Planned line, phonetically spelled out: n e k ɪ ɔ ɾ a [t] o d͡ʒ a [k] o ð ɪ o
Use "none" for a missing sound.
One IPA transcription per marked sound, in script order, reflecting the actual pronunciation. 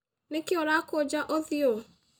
k, ʔ

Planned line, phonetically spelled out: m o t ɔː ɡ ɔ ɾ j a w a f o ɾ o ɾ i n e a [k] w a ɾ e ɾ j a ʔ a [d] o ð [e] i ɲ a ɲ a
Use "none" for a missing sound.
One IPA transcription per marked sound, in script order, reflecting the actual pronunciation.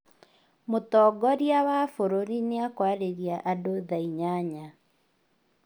k, d, a

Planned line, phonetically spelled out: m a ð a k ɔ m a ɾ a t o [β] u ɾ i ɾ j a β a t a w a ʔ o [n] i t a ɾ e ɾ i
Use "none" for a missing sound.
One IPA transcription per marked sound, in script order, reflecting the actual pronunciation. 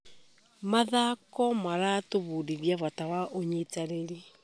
β, ɲ

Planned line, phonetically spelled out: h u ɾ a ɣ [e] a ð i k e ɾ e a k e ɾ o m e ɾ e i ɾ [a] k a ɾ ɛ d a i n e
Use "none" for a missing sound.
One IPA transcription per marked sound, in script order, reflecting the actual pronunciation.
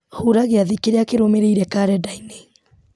e, ɛ

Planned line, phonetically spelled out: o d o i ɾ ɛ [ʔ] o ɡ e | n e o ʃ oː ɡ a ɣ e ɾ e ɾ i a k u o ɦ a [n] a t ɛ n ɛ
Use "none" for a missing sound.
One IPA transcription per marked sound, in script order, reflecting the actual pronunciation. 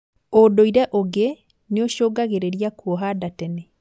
ʔ, d

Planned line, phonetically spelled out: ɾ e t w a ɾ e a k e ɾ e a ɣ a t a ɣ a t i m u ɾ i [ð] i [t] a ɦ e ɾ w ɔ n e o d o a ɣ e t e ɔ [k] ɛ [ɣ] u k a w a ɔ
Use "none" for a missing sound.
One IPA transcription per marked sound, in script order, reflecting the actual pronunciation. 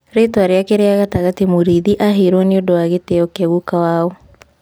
ð, ʔ, k, ɣ

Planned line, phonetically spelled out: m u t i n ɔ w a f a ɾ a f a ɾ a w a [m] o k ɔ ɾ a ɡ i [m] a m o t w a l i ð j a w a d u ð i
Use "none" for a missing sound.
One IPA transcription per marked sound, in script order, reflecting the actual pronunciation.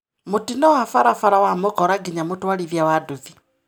m, ɲ

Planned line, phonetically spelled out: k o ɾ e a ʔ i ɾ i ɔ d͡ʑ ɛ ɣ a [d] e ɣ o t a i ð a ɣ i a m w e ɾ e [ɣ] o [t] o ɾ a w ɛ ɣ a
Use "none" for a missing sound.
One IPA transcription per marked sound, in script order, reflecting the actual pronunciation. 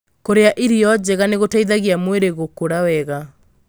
n, ɣ, k

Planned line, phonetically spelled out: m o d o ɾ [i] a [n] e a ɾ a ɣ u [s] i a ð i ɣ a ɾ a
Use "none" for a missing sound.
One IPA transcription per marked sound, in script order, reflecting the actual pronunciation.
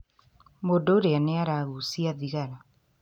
e, n, s

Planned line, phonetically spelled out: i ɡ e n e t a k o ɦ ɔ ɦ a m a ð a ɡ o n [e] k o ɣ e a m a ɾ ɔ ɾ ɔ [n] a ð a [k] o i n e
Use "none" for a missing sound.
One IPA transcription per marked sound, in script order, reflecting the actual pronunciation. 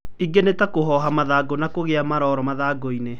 a, m, ɡ

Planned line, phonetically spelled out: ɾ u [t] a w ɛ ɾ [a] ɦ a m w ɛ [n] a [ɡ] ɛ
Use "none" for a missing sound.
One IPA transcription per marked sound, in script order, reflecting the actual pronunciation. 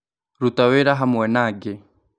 t, a, n, ɡ

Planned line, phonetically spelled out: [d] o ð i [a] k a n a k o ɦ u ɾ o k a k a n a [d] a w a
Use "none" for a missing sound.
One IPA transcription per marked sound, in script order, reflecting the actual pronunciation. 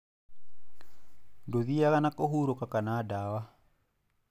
d, a, d

